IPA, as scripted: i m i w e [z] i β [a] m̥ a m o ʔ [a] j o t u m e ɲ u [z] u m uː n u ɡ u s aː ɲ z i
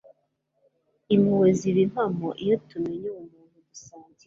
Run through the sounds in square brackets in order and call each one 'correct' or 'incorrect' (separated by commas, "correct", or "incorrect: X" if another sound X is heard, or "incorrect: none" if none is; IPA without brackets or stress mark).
correct, incorrect: i, incorrect: i, incorrect: none